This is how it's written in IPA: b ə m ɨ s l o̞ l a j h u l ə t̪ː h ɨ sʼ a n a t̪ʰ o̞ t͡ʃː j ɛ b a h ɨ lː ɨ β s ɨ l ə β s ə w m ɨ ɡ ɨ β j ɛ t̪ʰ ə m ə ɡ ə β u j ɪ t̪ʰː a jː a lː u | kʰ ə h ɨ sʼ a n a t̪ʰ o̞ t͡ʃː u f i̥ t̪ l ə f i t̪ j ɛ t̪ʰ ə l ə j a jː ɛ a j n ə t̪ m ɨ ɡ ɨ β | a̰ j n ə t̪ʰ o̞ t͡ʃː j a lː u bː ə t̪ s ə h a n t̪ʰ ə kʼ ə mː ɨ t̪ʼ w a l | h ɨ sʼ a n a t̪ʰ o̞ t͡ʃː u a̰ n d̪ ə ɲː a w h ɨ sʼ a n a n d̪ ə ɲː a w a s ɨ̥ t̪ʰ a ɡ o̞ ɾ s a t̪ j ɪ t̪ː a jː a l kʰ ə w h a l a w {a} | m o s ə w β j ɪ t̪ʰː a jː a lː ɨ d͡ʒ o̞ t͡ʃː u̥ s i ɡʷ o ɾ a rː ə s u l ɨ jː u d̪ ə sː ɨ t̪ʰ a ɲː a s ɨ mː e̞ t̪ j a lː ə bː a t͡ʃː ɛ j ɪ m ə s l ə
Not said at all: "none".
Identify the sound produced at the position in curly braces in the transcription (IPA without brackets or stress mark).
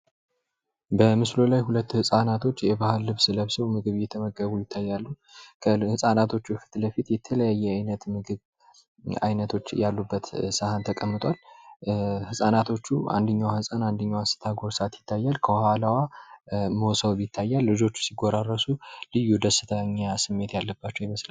a